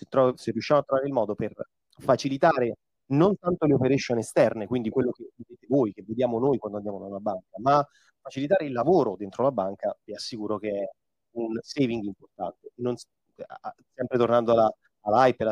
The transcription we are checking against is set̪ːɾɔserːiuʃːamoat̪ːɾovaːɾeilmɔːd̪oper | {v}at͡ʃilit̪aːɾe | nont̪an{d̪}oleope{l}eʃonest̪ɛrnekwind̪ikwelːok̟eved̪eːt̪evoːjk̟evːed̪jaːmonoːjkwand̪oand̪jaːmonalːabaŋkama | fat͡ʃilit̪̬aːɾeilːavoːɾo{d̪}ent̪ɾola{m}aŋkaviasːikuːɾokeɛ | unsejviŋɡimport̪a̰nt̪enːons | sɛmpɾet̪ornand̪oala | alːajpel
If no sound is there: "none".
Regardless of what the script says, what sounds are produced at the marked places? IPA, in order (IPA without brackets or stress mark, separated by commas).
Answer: f, t̪, ɾ, d̪, b